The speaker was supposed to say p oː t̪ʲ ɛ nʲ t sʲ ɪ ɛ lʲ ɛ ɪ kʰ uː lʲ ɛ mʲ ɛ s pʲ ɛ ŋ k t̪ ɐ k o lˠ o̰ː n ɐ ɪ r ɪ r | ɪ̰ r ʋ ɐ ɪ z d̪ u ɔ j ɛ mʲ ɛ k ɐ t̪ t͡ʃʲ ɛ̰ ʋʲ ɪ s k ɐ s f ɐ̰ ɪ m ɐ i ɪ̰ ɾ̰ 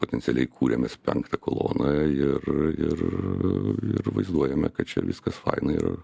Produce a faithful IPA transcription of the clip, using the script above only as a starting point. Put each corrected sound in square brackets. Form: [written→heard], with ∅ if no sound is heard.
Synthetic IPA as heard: p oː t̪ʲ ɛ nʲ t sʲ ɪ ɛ lʲ ɛ ɪ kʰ uː [lʲ→ɾʲ] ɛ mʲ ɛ s pʲ ɛ ŋ k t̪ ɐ k o lˠ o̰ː n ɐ ɪ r ɪ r | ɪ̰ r ʋ ɐ ɪ z d̪ u ɔ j ɛ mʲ ɛ k ɐ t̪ t͡ʃʲ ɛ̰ ʋʲ ɪ s k ɐ s f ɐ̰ ɪ [m→n] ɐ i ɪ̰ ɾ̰